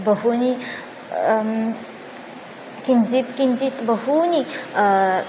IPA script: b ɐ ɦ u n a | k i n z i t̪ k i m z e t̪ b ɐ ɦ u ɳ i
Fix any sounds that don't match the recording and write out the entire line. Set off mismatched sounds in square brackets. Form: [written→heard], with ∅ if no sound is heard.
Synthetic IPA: b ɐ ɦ u n [a→i] | k i n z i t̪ k i [m→n] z [e→i] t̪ b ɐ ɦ u [ɳ→n] i